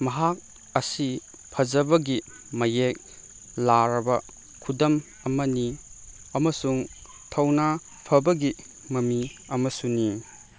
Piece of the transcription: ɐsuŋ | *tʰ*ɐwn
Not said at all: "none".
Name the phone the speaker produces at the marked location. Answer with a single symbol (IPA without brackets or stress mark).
tʰ